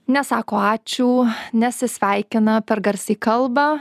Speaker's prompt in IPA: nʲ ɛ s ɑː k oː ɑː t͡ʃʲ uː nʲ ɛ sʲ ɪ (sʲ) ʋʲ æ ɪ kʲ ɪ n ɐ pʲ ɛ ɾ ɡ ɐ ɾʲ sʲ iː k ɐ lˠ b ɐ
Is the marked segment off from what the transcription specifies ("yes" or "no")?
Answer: no